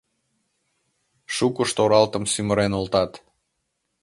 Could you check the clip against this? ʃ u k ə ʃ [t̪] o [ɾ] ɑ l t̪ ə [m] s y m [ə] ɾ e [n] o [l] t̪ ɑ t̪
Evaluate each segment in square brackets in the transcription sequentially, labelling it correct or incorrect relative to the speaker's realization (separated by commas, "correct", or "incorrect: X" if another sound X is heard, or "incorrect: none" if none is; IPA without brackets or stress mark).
correct, correct, correct, correct, correct, correct